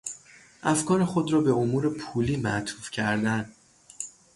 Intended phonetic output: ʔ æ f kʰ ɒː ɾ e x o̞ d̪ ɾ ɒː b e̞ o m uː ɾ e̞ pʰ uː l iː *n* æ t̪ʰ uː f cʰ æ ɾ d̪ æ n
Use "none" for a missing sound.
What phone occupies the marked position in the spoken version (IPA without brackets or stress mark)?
m